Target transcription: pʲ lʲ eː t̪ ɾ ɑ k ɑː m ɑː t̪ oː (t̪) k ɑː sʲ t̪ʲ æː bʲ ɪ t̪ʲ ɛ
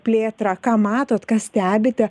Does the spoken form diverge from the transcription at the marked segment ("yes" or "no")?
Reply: no